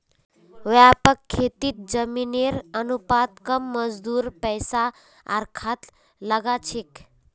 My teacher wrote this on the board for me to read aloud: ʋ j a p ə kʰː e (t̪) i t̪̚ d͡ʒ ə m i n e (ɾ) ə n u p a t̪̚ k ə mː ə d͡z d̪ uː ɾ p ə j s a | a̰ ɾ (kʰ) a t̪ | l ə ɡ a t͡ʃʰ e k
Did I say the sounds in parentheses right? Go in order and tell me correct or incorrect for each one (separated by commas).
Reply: correct, correct, correct